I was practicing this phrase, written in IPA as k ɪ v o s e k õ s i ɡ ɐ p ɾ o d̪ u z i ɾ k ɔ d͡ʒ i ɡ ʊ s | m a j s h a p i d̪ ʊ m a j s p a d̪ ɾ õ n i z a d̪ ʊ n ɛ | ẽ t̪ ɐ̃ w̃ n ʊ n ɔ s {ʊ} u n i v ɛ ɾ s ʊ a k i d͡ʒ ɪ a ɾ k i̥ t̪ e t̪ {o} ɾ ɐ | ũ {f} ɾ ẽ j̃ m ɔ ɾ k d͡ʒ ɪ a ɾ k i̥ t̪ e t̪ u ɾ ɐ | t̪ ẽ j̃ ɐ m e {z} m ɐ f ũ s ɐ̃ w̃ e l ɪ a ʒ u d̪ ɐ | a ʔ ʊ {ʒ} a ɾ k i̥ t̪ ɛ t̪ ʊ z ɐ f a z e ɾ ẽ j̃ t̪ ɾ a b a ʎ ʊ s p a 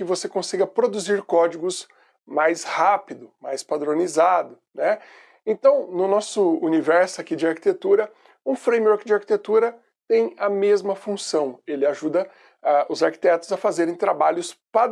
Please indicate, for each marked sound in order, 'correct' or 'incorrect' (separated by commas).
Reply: correct, incorrect, correct, correct, incorrect